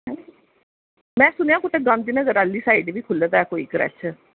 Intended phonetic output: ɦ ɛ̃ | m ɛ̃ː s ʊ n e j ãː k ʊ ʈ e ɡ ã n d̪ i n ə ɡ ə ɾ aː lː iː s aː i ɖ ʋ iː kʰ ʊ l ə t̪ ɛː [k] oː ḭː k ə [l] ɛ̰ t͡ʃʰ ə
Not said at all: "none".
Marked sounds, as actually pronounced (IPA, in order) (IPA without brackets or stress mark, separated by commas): k, ɾ